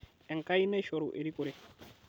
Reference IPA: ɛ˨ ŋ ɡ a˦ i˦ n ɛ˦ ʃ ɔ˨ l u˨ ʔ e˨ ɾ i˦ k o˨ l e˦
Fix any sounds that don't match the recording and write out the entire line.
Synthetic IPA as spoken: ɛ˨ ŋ k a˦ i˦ n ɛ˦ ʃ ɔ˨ ɾ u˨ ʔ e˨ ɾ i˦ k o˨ ɾ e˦